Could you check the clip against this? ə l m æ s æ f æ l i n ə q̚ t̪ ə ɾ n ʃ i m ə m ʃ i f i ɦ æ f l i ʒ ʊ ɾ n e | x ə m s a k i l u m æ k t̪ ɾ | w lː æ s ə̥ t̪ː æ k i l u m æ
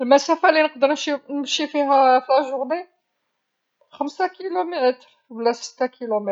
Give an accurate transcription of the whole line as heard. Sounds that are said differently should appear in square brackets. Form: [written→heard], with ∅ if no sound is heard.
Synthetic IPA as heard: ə l m æ s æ f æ l i n ə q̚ [t̪→d̪] ə ɾ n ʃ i [m→n] ə m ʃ i f i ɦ æ f l [i→æ] ʒ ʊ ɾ n e | x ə m s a k i l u m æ [k→∅] t̪ ɾ | w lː æ s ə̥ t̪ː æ k i l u m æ